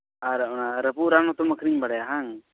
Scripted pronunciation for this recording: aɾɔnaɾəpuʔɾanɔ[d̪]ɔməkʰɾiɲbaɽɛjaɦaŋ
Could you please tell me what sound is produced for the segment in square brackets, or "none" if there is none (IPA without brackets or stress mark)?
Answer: t̪